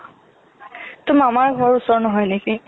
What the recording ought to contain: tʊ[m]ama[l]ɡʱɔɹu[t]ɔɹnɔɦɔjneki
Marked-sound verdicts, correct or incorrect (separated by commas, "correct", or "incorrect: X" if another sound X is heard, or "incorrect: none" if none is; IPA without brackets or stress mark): correct, incorrect: ɹ, incorrect: s